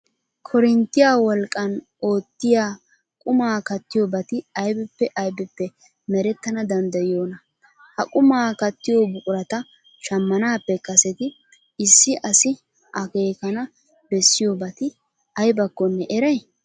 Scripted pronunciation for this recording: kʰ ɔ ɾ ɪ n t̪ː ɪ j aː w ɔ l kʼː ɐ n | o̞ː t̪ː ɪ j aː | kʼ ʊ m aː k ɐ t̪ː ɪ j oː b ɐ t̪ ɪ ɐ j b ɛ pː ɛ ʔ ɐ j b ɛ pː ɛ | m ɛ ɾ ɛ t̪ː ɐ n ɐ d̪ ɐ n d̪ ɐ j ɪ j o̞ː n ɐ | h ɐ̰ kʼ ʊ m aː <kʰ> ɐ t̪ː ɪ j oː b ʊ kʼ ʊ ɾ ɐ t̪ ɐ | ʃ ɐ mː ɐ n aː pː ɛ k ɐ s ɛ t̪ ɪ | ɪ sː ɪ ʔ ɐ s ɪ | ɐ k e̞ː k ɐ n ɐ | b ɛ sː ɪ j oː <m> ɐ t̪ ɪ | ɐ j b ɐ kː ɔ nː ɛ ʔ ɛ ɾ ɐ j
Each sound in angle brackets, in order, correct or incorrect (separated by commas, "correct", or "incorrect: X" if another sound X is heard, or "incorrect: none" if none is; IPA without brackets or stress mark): incorrect: k, incorrect: b